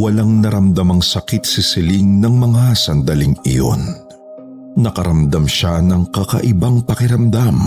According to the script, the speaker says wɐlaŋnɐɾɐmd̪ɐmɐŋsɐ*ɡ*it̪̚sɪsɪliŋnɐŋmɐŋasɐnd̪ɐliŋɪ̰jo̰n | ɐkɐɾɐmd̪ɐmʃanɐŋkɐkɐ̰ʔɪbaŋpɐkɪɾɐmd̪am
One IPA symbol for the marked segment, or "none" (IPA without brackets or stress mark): k